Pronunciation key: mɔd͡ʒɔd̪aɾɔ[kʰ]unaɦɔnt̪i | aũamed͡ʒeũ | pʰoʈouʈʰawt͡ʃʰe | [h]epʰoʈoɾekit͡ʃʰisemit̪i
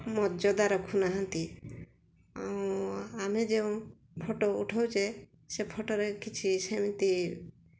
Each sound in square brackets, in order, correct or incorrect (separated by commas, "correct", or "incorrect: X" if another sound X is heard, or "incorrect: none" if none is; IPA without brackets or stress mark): correct, incorrect: s